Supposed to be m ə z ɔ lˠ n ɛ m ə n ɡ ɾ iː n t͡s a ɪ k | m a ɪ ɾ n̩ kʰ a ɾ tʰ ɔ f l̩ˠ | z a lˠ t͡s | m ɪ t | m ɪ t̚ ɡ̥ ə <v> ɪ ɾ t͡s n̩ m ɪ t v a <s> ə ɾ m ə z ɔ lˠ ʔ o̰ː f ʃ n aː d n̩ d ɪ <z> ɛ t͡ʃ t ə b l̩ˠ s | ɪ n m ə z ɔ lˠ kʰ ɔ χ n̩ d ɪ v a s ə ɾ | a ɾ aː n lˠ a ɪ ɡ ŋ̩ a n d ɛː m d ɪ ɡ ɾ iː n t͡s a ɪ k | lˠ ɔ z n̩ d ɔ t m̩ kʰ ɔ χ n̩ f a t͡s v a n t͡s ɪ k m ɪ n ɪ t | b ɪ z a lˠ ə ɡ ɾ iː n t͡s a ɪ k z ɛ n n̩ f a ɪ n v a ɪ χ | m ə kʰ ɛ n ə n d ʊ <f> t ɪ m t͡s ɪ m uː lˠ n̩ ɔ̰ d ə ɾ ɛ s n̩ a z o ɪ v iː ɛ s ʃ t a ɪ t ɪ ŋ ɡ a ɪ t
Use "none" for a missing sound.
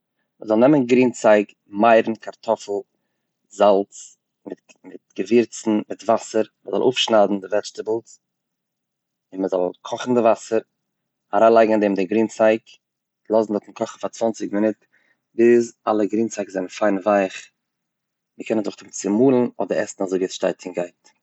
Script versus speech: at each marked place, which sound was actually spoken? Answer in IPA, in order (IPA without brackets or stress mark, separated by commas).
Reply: v, s, v, χ